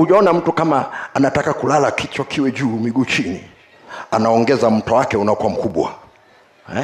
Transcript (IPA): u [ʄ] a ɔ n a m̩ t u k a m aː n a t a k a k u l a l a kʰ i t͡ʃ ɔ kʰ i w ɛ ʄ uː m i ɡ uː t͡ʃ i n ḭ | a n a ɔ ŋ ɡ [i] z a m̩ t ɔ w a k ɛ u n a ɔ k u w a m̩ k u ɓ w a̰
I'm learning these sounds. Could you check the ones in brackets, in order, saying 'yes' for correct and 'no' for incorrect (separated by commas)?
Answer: yes, no